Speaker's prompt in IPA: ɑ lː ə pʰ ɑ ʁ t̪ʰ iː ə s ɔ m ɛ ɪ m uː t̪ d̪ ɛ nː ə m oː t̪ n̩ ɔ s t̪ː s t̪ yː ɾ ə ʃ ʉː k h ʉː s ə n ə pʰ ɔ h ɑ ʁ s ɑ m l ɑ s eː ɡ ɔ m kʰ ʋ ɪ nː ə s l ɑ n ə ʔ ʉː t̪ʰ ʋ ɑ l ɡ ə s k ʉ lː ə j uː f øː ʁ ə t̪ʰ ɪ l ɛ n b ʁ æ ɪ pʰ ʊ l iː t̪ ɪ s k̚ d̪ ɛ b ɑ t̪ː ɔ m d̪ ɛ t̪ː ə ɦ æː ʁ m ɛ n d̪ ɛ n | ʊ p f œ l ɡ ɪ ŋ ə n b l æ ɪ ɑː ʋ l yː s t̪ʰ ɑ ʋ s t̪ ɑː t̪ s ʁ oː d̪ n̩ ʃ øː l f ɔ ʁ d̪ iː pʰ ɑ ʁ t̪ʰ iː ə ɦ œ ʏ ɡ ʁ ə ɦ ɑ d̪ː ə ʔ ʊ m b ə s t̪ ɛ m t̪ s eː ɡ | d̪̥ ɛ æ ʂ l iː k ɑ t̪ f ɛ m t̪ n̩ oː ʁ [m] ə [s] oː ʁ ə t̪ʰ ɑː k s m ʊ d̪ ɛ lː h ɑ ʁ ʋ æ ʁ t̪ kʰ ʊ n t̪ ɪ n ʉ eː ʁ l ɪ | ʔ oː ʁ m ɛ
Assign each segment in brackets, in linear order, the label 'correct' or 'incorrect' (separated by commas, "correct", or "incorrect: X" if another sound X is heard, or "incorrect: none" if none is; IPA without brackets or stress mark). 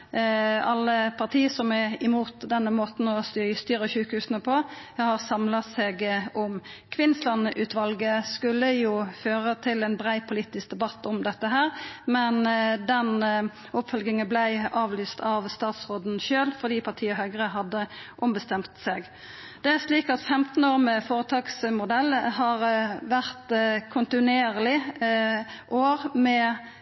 correct, incorrect: f